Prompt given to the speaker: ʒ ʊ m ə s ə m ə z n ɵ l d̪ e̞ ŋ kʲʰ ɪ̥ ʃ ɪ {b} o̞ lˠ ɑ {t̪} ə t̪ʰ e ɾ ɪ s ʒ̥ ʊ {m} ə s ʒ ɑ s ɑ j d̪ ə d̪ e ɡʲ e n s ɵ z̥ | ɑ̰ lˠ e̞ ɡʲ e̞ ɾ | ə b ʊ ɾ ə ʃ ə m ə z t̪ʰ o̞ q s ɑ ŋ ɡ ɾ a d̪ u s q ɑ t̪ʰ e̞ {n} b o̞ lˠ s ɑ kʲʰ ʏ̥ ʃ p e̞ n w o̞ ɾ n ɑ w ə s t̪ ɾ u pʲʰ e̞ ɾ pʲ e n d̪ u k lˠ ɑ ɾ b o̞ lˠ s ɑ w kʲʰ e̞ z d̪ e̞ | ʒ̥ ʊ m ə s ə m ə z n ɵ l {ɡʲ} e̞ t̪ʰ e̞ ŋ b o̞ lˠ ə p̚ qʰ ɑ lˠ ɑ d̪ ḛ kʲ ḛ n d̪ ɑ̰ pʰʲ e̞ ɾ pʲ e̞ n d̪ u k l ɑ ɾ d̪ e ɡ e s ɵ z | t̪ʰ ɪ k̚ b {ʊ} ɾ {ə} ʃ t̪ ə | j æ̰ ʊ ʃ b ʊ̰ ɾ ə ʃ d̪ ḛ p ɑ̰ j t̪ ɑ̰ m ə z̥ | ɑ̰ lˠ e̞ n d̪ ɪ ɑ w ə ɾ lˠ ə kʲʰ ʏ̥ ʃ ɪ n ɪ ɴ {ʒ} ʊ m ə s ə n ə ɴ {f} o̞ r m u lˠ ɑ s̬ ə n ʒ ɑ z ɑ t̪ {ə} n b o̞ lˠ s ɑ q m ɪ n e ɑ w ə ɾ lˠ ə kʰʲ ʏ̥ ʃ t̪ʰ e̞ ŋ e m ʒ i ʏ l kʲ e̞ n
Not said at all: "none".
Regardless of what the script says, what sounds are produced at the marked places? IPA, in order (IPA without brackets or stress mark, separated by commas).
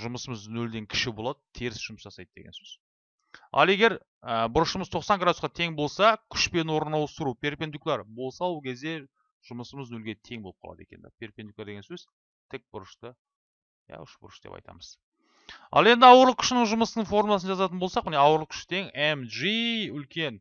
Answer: b, d̪, m, ŋ, ɡʲ, ʊ, ə, ʒ, f, ə